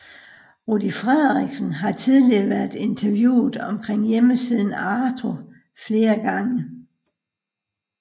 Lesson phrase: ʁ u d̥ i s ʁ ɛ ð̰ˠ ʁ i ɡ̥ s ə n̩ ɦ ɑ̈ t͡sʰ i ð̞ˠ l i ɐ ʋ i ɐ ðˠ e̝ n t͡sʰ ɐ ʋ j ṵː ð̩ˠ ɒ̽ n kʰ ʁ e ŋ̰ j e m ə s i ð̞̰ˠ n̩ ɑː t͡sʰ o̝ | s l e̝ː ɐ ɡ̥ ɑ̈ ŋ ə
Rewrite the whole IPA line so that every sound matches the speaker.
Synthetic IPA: ʁ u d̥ i f ʁ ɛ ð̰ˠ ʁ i ɡ̥ s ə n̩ ɦ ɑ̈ t͡sʰ i ð̞ˠ l i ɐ ʋ æ ɐ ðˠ e̝ n t͡sʰ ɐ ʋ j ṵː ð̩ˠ ɒ̽ m kʰ ʁ e ŋ̰ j e m ə s i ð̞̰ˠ n̩ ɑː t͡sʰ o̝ | f l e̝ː ɐ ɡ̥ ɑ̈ ŋ ə